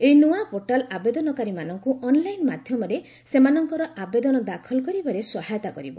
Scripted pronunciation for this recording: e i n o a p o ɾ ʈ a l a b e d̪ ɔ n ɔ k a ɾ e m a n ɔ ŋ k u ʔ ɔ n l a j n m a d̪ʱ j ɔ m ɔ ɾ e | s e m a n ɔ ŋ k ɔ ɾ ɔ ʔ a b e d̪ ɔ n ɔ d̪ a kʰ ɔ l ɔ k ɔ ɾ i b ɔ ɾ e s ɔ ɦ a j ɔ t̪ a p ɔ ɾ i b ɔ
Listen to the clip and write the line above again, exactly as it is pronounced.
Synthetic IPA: e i n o a p o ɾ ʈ a l a b e d̪ ɔ n ɔ k a ɾ i m a n ɔ ŋ k u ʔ ɔ n l a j n m a d̪ʱ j ɔ m ɔ ɾ e | s e m a n ɔ ŋ k ɔ ɾ ɔ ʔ a b e d̪ ɔ n ɔ d̪ a kʰ ɔ l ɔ k ɔ ɾ i b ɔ ɾ e s ɔ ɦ a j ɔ t̪ a k ɔ ɾ i b ɔ